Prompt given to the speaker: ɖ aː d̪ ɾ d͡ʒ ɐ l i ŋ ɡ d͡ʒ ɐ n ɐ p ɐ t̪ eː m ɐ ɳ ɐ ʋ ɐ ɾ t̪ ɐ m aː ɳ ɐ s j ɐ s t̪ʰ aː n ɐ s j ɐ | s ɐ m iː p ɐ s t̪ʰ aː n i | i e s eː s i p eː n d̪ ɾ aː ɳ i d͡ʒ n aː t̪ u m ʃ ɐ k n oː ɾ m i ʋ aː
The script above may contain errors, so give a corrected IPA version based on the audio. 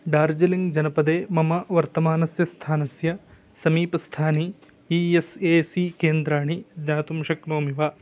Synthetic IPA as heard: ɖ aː ɾ d͡ʒ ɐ l i ŋ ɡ d͡ʒ ɐ n ɐ p ɐ d̪ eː m ɐ m ɐ ʋ ɐ ɾ t̪ ɐ m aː n ɐ s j ɐ s t̪ʰ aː n ɐ s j ɐ | s ɐ m iː p ɐ s t̪ʰ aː n i | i e s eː s i k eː n d̪ ɾ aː ɳ i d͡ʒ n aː t̪ u m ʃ ɐ k n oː m i ʋ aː